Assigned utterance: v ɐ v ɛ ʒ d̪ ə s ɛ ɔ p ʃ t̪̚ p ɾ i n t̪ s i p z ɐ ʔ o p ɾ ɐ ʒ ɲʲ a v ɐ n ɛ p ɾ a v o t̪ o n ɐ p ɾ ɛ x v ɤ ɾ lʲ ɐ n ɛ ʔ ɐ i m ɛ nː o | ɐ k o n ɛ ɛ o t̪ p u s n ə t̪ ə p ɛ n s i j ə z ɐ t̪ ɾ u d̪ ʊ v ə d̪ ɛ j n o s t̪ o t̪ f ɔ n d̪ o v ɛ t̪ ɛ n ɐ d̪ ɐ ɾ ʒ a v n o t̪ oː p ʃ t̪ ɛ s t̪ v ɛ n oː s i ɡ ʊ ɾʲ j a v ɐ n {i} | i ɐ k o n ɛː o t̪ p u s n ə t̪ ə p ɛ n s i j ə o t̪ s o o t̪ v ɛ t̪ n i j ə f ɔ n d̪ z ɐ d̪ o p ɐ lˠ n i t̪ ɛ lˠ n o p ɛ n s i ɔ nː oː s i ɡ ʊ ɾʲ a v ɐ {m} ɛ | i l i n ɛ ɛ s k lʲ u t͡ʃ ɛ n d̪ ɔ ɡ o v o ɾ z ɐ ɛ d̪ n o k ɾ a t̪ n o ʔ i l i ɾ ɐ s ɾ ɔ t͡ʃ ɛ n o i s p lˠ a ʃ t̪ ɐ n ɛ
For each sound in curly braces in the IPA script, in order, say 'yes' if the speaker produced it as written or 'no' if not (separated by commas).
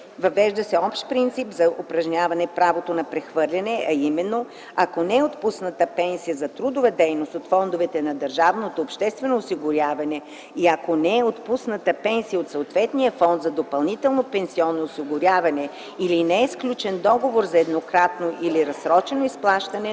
no, no